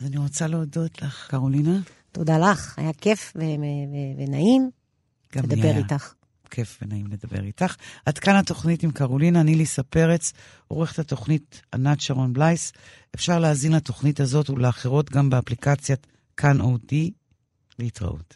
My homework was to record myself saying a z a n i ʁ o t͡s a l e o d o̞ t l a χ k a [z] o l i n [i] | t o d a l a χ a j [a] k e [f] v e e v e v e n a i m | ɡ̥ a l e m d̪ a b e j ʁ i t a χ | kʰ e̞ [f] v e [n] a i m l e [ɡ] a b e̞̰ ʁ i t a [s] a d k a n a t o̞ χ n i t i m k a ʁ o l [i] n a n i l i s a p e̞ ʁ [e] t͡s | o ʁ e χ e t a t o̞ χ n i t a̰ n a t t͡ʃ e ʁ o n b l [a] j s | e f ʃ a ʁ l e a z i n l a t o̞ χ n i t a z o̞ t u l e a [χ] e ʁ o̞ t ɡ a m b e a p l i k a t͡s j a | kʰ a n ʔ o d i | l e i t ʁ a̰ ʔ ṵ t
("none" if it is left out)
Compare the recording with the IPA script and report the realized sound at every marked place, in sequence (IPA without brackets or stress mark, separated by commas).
ʁ, a, a, f, f, n, d, χ, i, e, a, χ